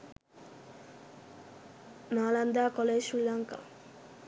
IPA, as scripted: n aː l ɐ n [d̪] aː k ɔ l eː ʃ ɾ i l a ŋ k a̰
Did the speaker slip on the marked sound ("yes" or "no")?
no